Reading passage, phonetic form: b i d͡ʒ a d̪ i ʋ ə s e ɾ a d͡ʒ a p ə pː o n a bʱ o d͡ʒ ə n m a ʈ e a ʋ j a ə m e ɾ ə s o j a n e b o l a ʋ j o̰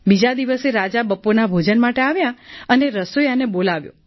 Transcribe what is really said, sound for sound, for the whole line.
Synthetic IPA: b i d͡ʒ a d̪ i ʋ ə s e ɾ a d͡ʒ a b ə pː o n a bʱ o d͡ʒ ə n m a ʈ e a ʋ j a ə n e ɾ ə s o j a n e b o l a ʋ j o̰